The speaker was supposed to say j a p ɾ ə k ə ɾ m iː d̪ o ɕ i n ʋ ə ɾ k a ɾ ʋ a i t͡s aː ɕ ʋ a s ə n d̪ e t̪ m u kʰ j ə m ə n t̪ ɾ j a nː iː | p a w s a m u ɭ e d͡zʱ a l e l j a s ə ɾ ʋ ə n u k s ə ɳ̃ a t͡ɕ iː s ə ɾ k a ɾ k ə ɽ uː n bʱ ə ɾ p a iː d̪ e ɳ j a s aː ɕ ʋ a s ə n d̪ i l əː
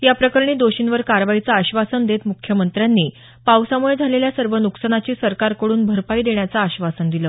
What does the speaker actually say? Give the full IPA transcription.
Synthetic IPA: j a p ɾ ə k ə ɾ ɳ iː d̪ o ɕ i n ʋ ə ɾ k a ɾ ʋ a i t͡s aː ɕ ʋ a s ə n d̪ e t̪ m u kʰ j ə m ə n t̪ ɾ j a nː iː | p a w s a m u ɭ e d͡zʱ a l e l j a s ə ɾ ʋ ə n u k s ə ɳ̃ a t͡ɕ iː s ə ɾ k a ɾ k ə ɽ uː n bʱ ə ɾ p a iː d̪ e ɳ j a t͡s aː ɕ ʋ a s ə n d̪ i l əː